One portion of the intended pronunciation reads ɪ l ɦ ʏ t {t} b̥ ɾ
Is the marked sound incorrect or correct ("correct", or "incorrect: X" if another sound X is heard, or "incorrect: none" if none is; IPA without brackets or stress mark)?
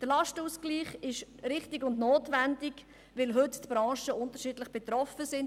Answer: correct